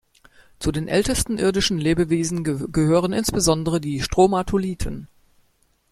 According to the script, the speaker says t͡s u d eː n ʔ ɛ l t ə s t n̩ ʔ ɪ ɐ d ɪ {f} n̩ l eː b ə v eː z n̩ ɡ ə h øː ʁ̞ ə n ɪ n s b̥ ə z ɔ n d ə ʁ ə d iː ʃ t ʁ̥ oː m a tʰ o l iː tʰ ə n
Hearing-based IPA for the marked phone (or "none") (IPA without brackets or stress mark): ʃ